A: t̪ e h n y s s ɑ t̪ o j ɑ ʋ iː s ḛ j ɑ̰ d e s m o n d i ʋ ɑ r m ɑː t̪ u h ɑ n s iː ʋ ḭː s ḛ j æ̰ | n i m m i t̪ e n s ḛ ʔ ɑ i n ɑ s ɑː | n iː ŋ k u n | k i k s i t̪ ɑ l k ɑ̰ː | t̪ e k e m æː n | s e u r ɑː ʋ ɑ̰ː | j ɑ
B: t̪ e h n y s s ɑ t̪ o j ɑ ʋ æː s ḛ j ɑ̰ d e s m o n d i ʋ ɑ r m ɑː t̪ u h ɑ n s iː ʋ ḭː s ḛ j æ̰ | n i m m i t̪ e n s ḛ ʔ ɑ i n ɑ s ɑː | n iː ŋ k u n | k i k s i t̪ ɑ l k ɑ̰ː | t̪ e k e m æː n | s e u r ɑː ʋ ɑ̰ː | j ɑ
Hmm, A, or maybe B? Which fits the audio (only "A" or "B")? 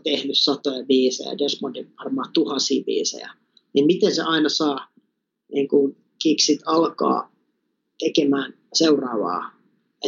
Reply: A